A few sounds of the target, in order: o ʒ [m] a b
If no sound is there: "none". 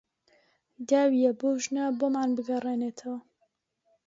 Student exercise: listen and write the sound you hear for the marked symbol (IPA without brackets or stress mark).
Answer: n